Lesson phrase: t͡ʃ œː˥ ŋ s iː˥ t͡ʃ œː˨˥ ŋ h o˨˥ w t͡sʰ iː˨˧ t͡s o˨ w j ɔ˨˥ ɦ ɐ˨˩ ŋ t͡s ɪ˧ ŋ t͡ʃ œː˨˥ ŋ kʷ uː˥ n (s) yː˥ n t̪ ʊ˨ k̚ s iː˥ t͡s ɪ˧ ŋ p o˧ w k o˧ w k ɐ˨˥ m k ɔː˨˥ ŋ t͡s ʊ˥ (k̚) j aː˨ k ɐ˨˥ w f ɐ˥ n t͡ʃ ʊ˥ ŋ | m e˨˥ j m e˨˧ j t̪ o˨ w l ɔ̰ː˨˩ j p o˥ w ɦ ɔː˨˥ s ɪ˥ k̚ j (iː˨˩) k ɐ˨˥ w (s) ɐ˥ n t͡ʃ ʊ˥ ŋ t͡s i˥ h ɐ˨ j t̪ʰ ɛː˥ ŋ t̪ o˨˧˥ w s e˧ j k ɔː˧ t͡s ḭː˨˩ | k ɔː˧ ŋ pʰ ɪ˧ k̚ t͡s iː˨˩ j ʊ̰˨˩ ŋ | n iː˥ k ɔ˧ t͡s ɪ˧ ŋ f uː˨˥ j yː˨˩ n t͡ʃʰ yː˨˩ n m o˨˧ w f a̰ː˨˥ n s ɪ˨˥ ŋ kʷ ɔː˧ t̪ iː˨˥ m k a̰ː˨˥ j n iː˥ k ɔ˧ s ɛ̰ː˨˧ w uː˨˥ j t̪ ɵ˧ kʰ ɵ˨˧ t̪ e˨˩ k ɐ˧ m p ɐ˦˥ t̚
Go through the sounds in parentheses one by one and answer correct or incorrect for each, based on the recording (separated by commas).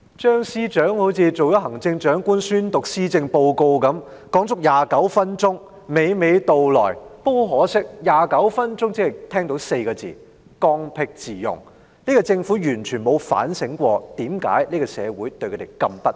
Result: correct, correct, incorrect, incorrect